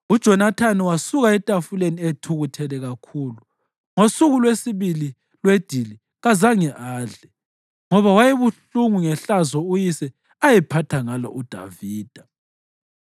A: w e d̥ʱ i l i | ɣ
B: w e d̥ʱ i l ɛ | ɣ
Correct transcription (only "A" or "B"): A